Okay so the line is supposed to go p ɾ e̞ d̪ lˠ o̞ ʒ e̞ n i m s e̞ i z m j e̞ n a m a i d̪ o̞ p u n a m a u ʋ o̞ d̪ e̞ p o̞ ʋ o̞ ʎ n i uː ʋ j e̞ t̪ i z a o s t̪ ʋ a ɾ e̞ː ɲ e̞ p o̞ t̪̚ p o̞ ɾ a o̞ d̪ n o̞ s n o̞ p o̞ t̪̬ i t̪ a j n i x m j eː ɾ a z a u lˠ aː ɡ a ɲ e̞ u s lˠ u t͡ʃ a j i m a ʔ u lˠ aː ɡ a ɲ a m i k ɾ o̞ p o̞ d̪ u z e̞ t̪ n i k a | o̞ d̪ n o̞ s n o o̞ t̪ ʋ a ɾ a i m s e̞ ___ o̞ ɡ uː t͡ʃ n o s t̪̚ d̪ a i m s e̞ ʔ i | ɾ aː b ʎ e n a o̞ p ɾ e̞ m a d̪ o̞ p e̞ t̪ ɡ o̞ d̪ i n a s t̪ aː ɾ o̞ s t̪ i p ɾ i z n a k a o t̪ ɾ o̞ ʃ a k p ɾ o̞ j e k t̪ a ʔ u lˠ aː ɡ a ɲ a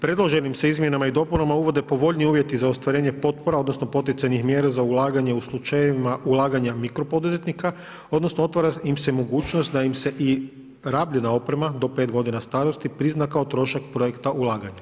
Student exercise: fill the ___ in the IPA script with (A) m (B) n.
A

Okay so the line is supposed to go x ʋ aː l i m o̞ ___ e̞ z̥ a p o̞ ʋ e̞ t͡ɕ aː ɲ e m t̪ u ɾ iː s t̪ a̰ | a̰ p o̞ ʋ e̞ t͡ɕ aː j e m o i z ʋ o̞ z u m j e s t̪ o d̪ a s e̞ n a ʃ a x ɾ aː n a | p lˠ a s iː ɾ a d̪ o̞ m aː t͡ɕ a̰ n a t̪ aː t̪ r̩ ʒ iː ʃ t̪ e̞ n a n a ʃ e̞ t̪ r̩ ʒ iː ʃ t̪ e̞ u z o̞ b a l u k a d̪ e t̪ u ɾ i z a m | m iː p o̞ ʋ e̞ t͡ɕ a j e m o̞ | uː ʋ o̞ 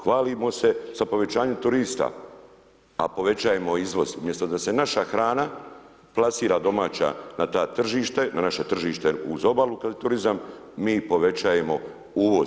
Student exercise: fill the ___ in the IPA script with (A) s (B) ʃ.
A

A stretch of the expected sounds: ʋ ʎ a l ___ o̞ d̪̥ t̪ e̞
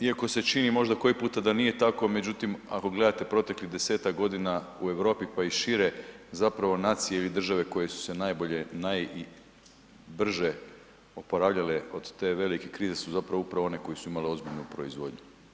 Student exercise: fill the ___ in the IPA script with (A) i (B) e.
B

